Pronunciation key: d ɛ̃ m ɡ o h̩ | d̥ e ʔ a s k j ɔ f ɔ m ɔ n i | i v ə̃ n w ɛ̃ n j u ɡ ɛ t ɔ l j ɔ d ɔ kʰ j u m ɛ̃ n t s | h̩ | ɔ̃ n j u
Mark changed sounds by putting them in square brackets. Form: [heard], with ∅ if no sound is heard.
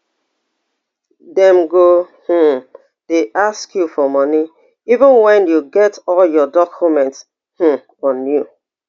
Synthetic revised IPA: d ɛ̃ m ɡ o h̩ | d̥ e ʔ a s k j [u] f ɔ m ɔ n i | i v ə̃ n w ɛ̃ n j u ɡ ɛ t ɔ l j ɔ d ɔ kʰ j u m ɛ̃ n t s | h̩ | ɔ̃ n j u